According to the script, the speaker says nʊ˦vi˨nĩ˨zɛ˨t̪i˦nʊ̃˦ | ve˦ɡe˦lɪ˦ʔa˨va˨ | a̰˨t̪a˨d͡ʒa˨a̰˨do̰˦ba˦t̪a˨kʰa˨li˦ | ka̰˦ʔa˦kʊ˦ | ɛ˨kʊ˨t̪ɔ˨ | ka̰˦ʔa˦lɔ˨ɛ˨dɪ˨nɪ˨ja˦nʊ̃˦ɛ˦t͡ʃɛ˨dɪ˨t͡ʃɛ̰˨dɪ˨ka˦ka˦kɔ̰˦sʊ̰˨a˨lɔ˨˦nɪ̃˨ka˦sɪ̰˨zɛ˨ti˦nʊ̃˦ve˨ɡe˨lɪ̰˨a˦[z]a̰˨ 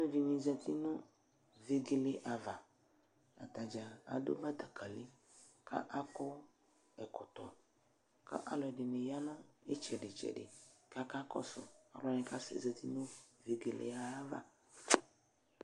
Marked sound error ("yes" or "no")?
yes